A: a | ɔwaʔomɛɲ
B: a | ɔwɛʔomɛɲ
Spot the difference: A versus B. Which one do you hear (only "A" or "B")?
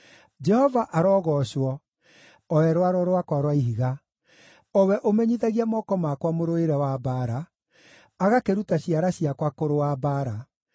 B